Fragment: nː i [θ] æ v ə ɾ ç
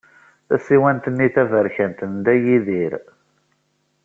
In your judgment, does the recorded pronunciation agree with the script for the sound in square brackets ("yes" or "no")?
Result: yes